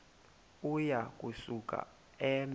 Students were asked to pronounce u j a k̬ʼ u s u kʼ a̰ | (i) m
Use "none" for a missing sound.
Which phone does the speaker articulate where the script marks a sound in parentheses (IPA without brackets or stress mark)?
ɛ